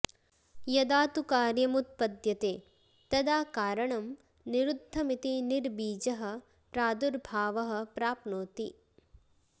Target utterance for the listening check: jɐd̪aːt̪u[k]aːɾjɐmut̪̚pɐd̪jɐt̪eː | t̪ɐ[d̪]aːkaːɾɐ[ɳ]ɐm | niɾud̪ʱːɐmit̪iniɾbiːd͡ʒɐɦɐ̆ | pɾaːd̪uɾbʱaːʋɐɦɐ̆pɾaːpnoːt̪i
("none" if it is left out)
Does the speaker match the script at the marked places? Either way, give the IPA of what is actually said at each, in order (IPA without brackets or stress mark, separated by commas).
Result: k, d̪, ɳ